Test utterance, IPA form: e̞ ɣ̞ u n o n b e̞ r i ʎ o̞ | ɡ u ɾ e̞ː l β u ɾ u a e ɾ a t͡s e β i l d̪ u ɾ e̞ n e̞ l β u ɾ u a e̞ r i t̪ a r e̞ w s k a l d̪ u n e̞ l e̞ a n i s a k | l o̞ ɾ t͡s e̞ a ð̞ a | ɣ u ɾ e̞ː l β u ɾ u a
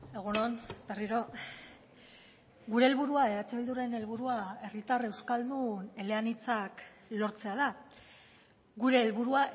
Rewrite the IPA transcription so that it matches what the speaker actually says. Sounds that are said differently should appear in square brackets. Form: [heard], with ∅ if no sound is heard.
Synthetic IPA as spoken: e̞ ɣ̞ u n o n b e̞ r i [ɾ] o̞ | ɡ u ɾ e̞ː l β u ɾ u a e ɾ a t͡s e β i l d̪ u ɾ e̞ n e̞ l β u ɾ u a e̞ r i t̪ a r e̞ w s k a l d̪ u n e̞ l e̞ a n i [t͡s] a k | l o̞ ɾ t͡s e̞ a ð̞ a | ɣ u ɾ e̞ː l β u ɾ u a